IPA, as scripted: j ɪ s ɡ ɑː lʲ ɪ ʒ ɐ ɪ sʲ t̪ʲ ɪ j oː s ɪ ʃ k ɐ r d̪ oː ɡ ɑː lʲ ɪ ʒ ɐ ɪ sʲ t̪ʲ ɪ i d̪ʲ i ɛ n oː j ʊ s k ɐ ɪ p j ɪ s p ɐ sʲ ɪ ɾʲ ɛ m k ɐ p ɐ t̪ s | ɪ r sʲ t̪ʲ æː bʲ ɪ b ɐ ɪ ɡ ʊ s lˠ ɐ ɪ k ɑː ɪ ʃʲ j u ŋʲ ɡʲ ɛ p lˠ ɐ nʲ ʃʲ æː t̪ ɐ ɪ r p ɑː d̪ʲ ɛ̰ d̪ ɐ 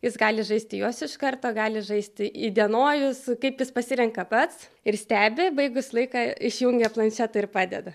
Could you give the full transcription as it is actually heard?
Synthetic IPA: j ɪ s ɡ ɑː lʲ ɪ ʒ ɐ ɪ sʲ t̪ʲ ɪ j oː s ɪ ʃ k ɐ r t̪ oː ɡ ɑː lʲ ɪ ʒ ɐ ɪ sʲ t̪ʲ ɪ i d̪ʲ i ɛ n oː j ʊ s k ɐ ɪ p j ɪ s p ɐ sʲ ɪ ɾʲ ɛ ŋ k ɐ p ɐ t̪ s | ɪ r sʲ t̪ʲ æː bʲ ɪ b ɐ ɪ ɡ ʊ s lˠ ɐ ɪ k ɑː ɪ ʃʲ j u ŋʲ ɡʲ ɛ p lˠ ɐ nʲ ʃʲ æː t̪ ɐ ɪ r p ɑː d̪ʲ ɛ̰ d̪ ɐ